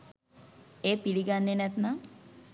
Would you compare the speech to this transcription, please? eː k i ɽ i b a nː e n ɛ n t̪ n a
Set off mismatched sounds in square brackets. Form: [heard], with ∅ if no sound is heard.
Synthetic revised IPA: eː [p] i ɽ i [ɡ] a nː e n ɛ [∅] t̪ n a